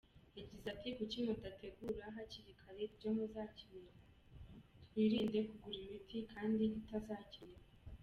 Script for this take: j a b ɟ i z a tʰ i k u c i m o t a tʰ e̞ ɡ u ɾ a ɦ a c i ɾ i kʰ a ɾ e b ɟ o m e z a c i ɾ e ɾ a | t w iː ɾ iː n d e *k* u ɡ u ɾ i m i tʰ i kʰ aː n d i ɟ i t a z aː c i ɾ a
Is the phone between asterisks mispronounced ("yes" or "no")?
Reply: no